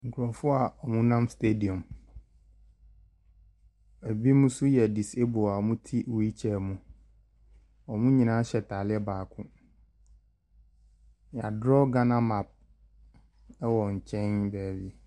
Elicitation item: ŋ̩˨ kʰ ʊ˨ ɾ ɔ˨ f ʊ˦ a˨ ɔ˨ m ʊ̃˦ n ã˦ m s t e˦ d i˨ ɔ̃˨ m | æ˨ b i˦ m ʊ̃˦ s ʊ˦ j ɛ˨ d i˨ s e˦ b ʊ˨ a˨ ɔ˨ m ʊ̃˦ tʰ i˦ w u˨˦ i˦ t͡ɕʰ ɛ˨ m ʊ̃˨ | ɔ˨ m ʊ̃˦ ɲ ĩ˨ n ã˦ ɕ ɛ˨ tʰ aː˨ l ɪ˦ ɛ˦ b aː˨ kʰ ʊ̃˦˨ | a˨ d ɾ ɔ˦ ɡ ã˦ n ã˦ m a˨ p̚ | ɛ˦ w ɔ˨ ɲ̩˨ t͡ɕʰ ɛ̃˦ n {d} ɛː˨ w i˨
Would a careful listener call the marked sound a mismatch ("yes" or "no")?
yes